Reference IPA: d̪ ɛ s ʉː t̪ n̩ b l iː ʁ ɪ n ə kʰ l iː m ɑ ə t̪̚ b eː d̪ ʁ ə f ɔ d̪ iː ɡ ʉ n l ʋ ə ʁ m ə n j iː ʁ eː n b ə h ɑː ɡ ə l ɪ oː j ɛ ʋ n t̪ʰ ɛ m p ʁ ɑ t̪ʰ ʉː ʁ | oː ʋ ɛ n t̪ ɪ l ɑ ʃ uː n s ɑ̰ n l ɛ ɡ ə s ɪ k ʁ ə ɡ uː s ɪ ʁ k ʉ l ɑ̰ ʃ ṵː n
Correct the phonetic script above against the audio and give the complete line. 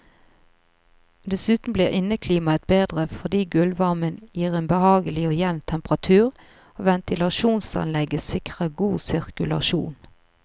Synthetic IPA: d̪ ɛ s ʉː t̪ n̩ b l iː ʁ ɪ n ə kʰ l iː m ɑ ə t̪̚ b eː d̪ ʁ ə f ɔ d̪ iː ɡ ʉ l ʋ ɑ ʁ m ə n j iː ʁ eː n b ə h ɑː ɡ ə l ɪ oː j ɛ ʋ n t̪ʰ ɛ m p ʁ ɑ t̪ʰ ʉː ʁ | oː ʋ ɛ n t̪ ɪ l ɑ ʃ uː n s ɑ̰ n l ɛ ɡ ə s ɪ k ʁ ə ɡ uː s ɪ ʁ k ʉ l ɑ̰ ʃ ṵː n